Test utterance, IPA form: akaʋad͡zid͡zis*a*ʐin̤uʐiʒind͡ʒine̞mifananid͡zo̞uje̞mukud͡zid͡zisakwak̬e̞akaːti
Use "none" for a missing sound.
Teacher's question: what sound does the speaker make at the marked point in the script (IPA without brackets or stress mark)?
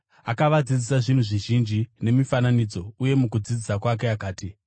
a